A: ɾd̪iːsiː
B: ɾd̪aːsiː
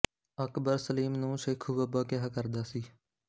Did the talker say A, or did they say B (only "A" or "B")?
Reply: B